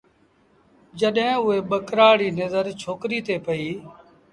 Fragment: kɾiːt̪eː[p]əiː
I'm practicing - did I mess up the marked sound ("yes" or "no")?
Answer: no